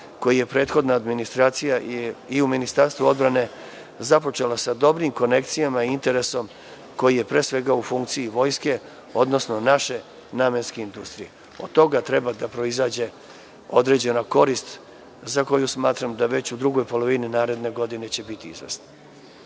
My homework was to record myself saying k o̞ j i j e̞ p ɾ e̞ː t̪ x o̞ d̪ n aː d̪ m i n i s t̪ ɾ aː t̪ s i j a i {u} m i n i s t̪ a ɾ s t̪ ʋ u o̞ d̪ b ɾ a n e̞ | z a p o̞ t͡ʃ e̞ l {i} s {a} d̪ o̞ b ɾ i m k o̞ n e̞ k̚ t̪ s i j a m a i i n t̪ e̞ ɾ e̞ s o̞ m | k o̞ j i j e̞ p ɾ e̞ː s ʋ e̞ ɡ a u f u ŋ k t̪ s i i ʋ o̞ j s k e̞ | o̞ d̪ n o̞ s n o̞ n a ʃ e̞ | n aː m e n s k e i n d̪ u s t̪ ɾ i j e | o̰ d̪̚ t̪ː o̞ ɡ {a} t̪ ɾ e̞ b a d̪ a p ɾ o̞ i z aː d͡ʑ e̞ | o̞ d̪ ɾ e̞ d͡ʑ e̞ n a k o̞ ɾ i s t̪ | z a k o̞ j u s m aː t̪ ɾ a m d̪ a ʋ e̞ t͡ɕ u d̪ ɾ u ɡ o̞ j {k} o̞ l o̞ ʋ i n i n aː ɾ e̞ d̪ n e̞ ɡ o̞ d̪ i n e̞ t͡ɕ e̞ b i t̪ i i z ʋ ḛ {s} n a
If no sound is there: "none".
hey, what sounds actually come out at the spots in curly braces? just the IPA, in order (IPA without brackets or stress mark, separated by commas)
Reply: u, a, a, a, p, s